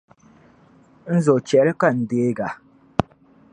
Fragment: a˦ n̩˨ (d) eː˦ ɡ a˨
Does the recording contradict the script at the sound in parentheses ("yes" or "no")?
no